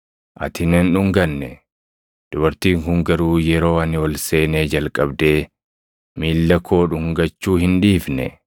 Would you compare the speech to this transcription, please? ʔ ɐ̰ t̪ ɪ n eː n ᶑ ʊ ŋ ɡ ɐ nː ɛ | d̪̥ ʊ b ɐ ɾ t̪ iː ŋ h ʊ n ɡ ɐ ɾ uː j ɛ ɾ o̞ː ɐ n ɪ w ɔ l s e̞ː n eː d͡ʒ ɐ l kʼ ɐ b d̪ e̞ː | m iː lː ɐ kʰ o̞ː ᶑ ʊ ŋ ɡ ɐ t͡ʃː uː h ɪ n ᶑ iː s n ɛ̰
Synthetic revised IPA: ʔ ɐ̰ t̪ ɪ n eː n ᶑ ʊ ŋ ɡ ɐ nː ɛ | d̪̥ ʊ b ɐ ɾ t̪ iː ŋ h ʊ ŋ ɡ ɐ ɾ uː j ɛ ɾ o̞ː ɐ n ɪ w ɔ l s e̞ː n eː d͡ʒ ɐ l kʼ ɐ b d̪ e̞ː | m iː lː ɐ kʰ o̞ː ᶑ ʊ ŋ ɡ ɐ t͡ʃː uː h ɪ n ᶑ iː f n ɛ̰